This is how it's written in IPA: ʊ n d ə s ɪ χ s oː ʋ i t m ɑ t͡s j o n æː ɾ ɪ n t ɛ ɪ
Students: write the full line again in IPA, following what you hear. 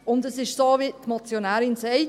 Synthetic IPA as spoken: ʊ n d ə s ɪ ʃ s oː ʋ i t m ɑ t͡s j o n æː ɾ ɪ n s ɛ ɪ